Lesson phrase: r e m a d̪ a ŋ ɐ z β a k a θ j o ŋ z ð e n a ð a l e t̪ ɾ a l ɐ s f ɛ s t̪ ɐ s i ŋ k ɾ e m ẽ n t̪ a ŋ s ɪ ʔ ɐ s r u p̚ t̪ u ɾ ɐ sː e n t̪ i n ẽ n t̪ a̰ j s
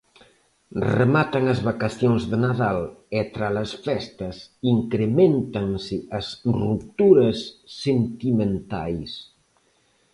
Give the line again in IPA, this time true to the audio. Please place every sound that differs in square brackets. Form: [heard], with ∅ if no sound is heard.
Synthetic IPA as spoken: r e m a [t̪] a ŋ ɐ z β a k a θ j o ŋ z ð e n a ð a l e t̪ ɾ a l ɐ s f ɛ s t̪ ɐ s i ŋ k ɾ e m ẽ n t̪ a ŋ s ɪ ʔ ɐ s r u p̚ t̪ u ɾ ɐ sː e n t̪ i [m] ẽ n t̪ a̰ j s